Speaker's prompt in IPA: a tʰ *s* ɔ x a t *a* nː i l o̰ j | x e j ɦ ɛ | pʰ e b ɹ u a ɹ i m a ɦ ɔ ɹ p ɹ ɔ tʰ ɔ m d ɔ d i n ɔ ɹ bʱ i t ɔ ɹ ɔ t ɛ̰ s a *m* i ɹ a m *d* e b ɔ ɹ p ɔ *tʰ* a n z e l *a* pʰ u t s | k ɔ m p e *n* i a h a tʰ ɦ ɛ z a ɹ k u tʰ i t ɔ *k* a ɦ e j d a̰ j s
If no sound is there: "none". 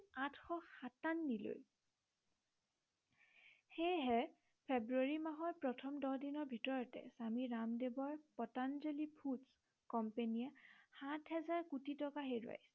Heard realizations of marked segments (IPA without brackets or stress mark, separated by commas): x, a, m, d, t, i, n, k